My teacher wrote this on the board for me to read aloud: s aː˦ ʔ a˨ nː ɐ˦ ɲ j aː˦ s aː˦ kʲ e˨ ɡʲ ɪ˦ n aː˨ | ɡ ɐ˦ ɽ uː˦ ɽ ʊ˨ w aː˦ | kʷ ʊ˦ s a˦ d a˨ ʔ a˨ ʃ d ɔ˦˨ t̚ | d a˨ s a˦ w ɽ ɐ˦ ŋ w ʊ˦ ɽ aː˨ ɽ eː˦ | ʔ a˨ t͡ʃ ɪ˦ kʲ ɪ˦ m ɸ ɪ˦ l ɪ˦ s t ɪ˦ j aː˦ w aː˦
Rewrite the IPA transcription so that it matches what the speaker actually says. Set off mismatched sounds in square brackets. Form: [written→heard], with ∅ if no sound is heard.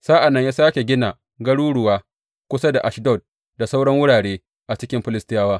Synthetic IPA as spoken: s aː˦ ʔ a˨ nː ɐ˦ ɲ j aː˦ s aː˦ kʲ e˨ ɡʲ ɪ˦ n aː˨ | ɡ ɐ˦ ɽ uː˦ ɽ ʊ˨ w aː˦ | kʷ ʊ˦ s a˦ d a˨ ʔ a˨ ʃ d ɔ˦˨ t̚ | d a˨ s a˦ w ɽ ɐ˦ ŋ w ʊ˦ ɽ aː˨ ɽ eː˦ | ʔ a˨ t͡ʃ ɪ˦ kʲ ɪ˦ m ɸ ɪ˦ l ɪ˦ s t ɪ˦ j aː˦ w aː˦